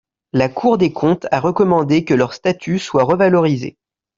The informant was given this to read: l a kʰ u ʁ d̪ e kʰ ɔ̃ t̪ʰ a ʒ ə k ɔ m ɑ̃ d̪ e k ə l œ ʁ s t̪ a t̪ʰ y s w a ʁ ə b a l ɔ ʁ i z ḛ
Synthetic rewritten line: l a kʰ u ʁ d̪ e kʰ ɔ̃ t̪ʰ a ʁ ə k ɔ m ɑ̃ d̪ e k ə l œ ʁ s t̪ a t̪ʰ y s w a ʁ ə v a l ɔ ʁ i z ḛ